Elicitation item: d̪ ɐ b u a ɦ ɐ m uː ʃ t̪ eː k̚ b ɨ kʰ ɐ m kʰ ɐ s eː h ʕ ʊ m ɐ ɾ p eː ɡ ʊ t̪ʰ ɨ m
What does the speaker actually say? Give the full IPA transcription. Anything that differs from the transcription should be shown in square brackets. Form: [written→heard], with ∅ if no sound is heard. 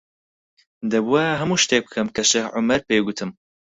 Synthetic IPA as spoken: d̪ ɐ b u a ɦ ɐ m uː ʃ t̪ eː k̚ b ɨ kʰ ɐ m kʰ ɐ [s→ʃ] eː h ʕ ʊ m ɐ ɾ p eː ɡ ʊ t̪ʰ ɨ m